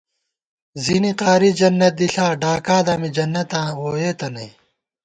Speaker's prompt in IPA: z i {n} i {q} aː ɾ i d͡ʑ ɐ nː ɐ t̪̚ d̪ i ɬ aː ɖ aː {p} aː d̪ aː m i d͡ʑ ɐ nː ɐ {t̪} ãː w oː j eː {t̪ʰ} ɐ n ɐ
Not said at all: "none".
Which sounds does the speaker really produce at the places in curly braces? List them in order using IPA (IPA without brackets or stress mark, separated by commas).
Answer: n, q, k, t̪, t̪